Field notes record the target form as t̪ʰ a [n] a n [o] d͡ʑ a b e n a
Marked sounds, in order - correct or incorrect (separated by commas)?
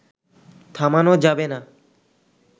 incorrect, correct